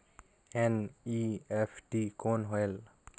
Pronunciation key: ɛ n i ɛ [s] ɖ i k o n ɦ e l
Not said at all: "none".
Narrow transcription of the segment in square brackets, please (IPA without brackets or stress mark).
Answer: f